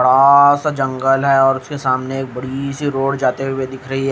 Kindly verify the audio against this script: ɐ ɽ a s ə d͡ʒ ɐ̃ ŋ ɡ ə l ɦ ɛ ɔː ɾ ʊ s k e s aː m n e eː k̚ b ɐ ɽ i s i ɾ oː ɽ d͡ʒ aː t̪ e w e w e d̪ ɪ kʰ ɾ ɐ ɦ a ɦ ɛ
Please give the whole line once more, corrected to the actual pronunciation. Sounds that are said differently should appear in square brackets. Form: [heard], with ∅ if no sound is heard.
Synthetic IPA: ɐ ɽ a s [a] d͡ʒ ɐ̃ ŋ ɡ ə l ɦ ɛ ɔː ɾ ʊ s k e s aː m n e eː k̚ b ɐ ɽ i s i ɾ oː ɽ d͡ʒ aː t̪ e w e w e d̪ ɪ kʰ ɾ ɐ ɦ [i] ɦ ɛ